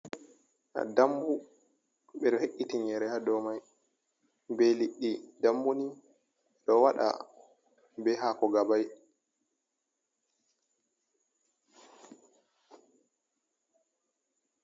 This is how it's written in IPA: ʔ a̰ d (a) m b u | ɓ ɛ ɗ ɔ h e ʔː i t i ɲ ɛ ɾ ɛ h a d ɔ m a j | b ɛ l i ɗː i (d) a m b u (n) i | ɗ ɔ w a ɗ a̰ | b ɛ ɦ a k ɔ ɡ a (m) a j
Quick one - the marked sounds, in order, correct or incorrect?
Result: correct, correct, correct, incorrect

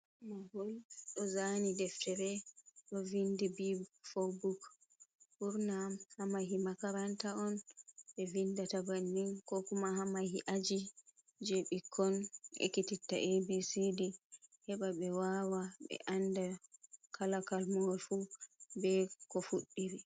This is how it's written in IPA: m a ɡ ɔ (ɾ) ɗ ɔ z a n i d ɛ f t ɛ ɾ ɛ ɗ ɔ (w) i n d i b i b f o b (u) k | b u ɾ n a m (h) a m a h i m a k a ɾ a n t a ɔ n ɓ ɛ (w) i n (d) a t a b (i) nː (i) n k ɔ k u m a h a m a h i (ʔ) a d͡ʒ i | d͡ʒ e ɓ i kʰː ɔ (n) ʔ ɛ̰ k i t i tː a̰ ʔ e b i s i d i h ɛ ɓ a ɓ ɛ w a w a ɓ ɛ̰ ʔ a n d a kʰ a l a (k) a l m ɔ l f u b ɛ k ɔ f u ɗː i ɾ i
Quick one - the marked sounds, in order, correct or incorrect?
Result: incorrect, incorrect, correct, correct, incorrect, correct, incorrect, correct, correct, correct, correct

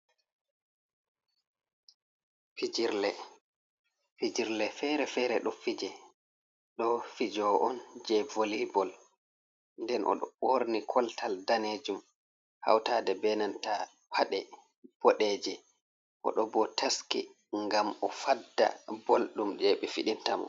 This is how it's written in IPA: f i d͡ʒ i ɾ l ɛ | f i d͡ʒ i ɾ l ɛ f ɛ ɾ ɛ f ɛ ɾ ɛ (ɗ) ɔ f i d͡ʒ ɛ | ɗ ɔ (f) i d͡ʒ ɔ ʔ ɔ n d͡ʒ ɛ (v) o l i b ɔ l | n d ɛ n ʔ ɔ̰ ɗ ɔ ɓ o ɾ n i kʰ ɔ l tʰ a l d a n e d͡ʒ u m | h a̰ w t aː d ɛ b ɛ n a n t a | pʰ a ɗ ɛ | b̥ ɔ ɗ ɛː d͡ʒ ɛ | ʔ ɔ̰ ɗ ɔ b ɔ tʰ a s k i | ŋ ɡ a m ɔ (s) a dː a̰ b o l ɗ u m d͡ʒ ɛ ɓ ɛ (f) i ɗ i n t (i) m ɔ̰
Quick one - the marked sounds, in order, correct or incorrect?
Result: correct, correct, correct, incorrect, correct, incorrect

